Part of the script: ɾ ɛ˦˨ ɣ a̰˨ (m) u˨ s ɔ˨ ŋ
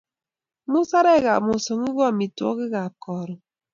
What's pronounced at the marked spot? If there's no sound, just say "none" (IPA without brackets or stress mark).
m